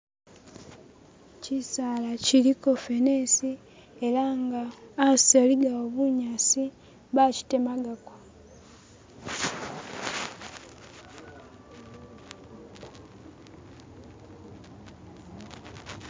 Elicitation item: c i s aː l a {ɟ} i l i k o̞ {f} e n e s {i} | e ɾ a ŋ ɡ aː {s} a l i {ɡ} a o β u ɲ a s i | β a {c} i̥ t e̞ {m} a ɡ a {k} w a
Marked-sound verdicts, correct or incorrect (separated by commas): incorrect, correct, correct, correct, correct, correct, correct, correct